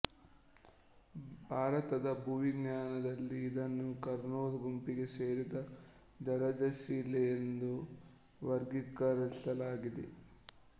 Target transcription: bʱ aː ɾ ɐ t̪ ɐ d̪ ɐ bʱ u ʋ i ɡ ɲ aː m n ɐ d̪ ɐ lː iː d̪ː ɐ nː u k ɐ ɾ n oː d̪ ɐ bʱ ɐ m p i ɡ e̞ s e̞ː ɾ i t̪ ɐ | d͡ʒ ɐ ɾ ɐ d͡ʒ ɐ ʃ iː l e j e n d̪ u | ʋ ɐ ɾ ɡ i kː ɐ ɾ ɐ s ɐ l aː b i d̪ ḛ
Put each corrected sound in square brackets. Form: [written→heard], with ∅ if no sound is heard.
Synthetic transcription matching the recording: bʱ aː ɾ ɐ t̪ ɐ d̪ ɐ bʱ u ʋ i ɡ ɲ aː [m→∅] n ɐ d̪ ɐ lː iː [d̪ː→d̪] ɐ nː u k ɐ ɾ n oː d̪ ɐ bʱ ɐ m p i ɡ e̞ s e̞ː ɾ i [t̪→d̪] ɐ | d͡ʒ ɐ ɾ ɐ d͡ʒ ɐ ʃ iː l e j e n d̪ u | ʋ ɐ ɾ ɡ i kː ɐ ɾ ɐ s ɐ l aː [b→ɡ] i d̪ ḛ